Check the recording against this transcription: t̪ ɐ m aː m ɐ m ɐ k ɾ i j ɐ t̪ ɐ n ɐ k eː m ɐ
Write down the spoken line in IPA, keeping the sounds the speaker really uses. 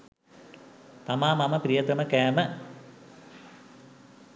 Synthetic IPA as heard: t̪ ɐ m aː m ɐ m ɐ p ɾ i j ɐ t̪ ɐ m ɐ k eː m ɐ